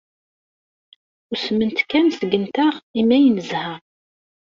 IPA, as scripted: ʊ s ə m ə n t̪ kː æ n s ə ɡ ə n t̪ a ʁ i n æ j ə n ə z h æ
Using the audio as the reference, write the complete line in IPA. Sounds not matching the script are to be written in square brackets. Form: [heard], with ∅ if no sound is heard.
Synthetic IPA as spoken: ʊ s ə m ə n t̪ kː æ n s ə ɡ ə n t̪ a ʁ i [m] æ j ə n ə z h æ